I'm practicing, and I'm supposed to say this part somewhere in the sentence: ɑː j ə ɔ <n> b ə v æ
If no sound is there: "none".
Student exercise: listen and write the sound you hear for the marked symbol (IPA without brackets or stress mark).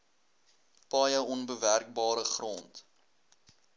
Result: n